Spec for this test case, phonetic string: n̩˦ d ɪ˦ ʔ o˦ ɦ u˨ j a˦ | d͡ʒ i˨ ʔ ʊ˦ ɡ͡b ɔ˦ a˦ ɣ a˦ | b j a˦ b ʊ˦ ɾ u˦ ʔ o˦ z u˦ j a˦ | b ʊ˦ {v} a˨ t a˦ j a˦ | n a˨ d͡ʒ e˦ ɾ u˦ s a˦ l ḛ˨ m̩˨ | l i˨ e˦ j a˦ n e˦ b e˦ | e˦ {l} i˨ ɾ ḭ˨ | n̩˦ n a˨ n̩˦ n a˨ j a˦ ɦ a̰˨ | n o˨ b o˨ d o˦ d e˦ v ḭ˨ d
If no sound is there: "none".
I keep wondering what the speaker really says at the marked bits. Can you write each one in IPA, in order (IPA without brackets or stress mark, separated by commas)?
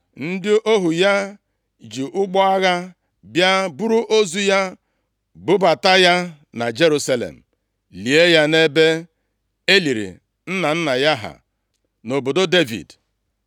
b, l